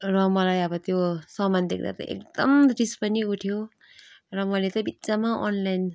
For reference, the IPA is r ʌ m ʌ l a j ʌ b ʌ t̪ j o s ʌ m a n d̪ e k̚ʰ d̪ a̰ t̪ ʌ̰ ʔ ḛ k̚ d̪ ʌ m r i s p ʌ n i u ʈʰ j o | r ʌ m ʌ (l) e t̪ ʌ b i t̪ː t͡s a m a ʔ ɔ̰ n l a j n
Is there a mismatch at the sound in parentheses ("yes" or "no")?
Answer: no